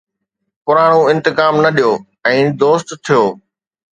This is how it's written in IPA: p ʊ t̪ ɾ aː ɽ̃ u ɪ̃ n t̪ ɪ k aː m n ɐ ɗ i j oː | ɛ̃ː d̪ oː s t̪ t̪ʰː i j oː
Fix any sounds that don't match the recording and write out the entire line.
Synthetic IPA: p ʊ ɾ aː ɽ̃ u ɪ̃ n t̪ ɪ k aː m n ɐ ɗ i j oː | ɛ̃ː d̪ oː s t̪ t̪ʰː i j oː